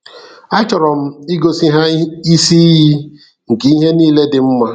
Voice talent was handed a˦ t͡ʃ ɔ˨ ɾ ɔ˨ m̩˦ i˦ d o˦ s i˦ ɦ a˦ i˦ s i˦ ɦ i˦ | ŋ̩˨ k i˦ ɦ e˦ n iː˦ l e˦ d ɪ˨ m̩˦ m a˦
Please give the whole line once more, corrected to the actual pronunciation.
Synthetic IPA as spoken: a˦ t͡ʃ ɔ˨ ɾ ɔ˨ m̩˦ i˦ ɡ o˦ s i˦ ɦ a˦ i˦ s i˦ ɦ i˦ | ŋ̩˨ k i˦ ɦ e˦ n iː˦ l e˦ d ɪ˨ m̩˦ m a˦